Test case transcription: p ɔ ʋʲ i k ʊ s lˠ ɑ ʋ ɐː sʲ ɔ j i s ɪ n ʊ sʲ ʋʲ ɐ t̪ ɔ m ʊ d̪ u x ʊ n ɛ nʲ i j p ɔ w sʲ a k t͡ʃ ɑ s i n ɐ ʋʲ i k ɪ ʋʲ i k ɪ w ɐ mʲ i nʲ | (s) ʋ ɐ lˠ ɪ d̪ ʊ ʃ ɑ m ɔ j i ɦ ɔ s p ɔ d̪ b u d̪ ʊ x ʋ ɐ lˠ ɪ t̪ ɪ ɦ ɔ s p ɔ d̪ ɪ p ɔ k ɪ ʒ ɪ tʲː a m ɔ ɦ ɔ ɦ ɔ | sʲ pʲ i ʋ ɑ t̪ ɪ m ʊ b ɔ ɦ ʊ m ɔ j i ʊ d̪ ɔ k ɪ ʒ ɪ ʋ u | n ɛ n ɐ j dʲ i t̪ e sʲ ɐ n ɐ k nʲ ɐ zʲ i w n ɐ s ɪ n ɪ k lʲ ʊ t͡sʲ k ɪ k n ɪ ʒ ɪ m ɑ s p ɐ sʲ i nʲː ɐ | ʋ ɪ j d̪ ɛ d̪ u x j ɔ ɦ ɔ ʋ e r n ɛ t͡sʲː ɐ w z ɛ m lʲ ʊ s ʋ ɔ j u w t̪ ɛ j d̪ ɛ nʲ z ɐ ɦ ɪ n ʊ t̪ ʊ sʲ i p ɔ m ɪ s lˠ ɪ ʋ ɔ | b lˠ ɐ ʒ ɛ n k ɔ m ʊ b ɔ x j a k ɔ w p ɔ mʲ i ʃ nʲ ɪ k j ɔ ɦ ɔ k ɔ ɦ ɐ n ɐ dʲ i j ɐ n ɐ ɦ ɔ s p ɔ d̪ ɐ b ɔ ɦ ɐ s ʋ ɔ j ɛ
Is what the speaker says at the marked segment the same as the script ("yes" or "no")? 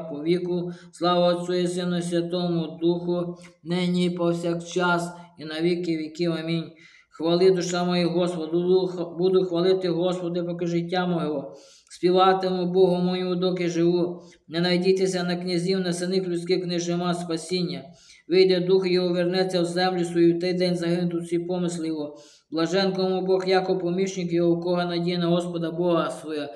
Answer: no